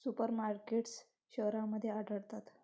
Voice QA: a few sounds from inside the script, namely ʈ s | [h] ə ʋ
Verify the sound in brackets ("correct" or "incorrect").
incorrect